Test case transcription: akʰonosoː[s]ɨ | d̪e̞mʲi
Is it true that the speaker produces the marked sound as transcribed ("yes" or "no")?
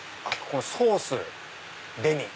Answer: yes